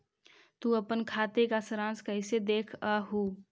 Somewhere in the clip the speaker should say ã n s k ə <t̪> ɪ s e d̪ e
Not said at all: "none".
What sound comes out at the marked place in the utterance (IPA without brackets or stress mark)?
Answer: none